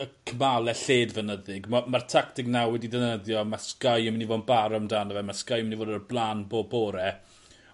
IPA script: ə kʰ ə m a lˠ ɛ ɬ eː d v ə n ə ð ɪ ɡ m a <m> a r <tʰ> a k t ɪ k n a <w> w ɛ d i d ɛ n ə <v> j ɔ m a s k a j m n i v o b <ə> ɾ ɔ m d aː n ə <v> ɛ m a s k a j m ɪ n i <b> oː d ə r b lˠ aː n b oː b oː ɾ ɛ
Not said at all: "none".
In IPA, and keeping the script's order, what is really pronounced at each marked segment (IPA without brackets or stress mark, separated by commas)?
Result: m, tʰ, w, ð, a, v, v